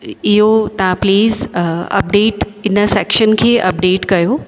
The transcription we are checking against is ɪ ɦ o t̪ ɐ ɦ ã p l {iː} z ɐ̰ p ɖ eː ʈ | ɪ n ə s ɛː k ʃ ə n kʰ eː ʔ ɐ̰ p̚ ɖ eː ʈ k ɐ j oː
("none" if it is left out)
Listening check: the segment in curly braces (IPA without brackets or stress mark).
iː